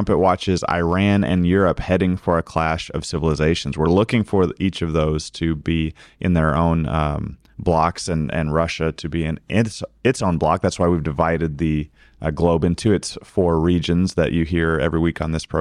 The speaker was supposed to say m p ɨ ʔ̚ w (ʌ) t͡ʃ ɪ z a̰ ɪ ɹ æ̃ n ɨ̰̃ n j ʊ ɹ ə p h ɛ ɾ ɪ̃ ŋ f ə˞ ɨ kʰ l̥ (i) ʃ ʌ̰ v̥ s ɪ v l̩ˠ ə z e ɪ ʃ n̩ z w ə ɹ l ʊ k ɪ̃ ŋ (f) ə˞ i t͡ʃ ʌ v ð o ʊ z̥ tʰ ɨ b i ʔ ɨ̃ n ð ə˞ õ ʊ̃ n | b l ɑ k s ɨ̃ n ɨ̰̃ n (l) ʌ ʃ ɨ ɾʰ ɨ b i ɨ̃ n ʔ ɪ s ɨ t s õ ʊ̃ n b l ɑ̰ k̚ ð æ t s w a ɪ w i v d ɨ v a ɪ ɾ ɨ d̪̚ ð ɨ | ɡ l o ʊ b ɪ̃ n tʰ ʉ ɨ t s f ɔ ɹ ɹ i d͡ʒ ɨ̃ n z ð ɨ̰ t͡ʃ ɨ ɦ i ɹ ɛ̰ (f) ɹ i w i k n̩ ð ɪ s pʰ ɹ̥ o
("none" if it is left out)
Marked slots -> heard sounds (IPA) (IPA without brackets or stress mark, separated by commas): ɑ, æ, f, ɹ, v